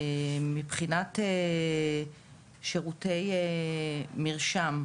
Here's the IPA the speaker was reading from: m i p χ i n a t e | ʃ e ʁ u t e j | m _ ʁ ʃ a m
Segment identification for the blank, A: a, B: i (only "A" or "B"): B